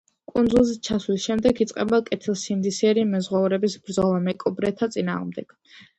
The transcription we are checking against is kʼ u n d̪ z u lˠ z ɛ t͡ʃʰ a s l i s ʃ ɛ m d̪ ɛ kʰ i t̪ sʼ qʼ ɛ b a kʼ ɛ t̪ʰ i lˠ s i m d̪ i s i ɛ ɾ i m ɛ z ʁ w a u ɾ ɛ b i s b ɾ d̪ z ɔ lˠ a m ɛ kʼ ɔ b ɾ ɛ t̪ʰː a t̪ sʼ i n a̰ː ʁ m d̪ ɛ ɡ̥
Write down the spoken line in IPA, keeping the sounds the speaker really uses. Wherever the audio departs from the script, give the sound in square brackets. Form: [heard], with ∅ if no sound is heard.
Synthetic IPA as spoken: kʼ u n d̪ z u lˠ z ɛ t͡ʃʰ a s l i s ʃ ɛ m d̪ ɛ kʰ i t̪ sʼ qʼ ɛ b a kʼ ɛ t̪ʰ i lˠ s i m d̪ i s i ɛ ɾ i m ɛ z ʁ w a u ɾ ɛ b i s b ɾ d̪ z ɔ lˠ a m ɛ kʼ ɔ b ɾ ɛ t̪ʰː a t̪ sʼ i n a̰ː ʁ m d̪ ɛ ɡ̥